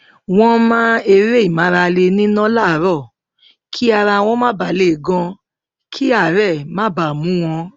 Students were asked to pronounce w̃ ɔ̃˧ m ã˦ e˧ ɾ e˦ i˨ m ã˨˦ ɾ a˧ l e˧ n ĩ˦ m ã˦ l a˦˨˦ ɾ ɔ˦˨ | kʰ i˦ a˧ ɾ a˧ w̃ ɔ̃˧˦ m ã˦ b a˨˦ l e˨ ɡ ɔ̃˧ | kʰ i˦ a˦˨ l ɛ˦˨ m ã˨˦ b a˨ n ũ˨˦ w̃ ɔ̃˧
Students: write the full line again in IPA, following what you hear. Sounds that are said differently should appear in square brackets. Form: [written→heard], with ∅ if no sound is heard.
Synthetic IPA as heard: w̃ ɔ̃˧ m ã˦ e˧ ɾ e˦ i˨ m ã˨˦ ɾ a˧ l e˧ n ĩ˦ [m→n] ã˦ l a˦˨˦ ɾ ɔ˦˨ | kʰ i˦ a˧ ɾ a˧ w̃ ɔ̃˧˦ m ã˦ b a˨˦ l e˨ ɡ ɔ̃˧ | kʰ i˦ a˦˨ [l→ɾ] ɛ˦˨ m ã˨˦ b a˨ [n→m] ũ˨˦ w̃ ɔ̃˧

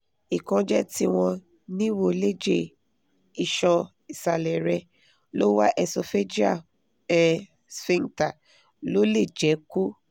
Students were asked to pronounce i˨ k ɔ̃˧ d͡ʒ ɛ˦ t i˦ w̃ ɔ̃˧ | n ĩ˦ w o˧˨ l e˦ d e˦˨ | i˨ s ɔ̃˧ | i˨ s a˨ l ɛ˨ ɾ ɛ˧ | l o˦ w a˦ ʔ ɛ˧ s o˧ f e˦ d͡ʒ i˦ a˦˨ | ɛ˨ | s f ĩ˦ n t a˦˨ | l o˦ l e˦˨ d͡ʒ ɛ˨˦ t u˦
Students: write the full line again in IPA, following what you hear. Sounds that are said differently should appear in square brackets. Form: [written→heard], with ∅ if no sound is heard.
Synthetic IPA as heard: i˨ k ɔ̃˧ d͡ʒ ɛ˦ t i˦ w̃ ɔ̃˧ | n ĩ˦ w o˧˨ l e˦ [d→d͡ʒ] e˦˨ | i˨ [s→ʃ] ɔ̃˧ | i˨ s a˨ l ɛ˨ ɾ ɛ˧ | l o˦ w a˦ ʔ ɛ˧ s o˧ f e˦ d͡ʒ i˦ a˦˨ | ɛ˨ | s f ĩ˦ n t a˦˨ | l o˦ l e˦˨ d͡ʒ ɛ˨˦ [t→k] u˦

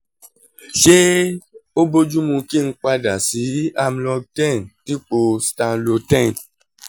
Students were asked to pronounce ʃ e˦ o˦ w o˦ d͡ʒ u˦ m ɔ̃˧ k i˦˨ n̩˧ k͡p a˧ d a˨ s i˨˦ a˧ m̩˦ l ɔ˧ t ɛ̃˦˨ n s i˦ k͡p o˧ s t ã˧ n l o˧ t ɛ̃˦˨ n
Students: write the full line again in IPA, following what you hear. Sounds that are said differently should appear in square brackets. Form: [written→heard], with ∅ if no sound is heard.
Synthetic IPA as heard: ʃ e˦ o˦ [w→b] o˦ d͡ʒ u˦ m [ɔ̃˧→ũ˧] k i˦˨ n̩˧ k͡p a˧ d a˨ s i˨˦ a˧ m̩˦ l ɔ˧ t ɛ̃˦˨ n [s→t] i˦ k͡p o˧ s t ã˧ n l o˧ t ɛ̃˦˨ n

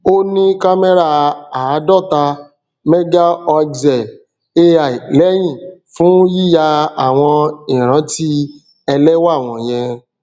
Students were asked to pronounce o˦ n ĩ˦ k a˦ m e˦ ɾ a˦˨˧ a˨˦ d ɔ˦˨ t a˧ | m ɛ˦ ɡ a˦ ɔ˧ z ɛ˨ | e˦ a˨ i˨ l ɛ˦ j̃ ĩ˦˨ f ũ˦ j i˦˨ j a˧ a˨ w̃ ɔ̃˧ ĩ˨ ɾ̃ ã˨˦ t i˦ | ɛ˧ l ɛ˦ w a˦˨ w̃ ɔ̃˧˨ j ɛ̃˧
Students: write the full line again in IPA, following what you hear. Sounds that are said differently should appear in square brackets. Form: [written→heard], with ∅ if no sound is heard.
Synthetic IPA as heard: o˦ n ĩ˦ k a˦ m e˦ ɾ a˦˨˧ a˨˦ d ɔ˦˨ t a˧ | m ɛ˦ ɡ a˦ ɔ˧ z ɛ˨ | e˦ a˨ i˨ l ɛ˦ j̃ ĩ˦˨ f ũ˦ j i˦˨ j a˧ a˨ w̃ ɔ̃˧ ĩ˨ ɾ̃ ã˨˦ t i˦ | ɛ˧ l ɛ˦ w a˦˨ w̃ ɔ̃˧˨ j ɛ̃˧

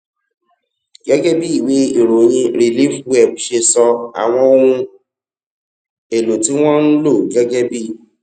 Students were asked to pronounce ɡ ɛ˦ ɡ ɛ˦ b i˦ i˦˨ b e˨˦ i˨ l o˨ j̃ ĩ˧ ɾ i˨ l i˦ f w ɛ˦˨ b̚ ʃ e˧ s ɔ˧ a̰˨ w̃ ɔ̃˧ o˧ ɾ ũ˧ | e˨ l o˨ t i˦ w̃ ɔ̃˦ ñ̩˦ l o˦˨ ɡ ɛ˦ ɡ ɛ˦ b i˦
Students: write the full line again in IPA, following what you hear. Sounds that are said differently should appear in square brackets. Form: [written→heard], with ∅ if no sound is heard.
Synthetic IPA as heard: ɡ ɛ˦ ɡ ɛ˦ b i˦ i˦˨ [b→w] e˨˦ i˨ [l→ɾ] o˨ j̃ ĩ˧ ɾ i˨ l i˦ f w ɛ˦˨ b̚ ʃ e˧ s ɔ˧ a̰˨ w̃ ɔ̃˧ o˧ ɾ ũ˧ | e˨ l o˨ t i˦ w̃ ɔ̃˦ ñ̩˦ l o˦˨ ɡ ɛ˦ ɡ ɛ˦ b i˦

